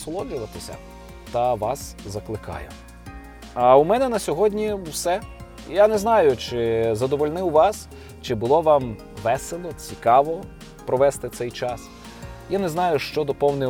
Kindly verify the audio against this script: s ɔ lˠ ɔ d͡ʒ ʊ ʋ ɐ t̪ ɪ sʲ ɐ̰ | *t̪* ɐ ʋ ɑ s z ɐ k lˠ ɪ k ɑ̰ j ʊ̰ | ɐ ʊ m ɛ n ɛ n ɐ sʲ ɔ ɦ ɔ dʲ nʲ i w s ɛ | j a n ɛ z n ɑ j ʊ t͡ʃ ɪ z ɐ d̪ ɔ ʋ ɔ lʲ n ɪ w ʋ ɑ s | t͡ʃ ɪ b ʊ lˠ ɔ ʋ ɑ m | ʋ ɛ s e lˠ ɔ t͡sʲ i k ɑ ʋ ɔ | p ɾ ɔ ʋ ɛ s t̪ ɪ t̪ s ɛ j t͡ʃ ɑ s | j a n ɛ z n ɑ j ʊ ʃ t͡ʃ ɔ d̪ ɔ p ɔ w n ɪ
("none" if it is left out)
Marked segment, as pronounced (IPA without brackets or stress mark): t̪